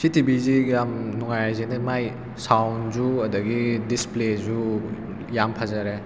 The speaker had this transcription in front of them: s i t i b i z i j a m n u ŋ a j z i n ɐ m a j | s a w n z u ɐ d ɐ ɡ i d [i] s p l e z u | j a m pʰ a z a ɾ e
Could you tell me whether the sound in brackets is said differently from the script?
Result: no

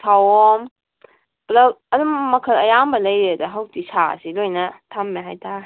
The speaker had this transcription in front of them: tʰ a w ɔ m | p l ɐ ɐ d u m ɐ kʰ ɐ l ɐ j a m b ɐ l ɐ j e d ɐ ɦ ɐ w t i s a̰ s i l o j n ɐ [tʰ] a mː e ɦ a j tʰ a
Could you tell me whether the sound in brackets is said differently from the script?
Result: no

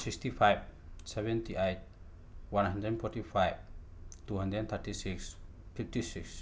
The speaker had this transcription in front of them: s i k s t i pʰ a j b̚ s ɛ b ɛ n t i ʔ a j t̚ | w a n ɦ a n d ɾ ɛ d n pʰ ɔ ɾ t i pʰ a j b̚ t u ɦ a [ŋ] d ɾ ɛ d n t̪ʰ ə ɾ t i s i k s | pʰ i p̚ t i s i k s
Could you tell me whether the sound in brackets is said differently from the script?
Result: yes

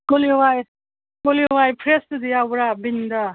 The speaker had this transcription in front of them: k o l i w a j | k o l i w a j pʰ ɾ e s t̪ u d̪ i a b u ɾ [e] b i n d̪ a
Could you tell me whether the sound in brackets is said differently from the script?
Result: yes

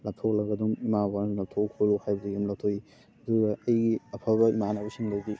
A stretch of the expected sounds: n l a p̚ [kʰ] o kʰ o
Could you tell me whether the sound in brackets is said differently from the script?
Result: yes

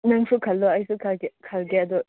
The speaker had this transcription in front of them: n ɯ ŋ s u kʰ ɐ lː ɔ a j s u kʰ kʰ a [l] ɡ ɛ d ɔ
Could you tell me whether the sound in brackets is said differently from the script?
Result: no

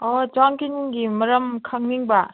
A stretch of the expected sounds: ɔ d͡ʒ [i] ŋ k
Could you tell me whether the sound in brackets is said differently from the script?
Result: yes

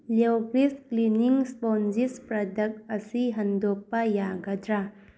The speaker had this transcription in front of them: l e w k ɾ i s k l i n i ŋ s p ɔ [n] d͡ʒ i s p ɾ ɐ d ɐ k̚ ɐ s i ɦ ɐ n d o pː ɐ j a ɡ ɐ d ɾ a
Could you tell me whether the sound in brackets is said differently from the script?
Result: no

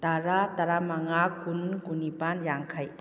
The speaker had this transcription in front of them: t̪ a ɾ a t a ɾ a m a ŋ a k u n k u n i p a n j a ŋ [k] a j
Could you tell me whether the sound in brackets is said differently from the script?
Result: yes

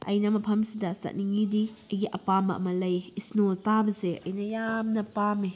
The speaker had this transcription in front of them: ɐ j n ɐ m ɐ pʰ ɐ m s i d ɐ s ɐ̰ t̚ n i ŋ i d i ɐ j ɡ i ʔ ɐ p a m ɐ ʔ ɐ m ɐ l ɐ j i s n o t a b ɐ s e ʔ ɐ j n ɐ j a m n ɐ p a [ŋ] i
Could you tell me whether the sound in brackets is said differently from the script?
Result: yes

